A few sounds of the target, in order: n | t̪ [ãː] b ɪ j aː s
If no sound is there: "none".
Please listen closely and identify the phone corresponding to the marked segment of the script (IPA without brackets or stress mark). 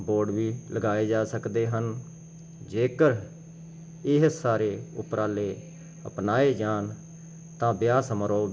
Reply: ãː